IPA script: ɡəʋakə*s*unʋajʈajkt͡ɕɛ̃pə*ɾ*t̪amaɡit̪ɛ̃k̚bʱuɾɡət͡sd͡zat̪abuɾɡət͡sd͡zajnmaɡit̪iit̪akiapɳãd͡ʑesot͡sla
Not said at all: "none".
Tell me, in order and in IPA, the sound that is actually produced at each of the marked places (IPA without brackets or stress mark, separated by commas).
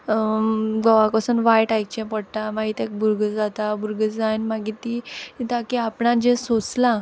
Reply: s, ɽ